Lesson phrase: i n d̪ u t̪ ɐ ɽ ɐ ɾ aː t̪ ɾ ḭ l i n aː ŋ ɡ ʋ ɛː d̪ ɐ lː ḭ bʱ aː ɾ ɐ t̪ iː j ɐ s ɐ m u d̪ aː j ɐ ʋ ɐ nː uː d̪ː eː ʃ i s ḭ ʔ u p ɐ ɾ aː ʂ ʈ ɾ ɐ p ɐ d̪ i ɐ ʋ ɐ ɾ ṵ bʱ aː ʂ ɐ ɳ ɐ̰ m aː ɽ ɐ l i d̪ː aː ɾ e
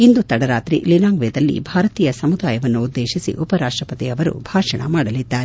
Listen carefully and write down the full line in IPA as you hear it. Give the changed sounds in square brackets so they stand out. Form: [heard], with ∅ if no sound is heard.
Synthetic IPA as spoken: i n d̪ u t̪ ɐ ɽ ɐ ɾ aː t̪ ɾ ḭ l i n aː ŋ ɡ ʋ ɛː d̪ ɐ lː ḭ bʱ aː ɾ ɐ t̪ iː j ɐ s ɐ m u d̪ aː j ɐ ʋ ɐ nː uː d̪ː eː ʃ i s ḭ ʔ u p ɐ ɾ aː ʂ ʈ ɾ ɐ p ɐ [t̪] i ɐ ʋ ɐ ɾ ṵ bʱ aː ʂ ɐ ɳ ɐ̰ m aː ɽ ɐ l i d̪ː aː ɾ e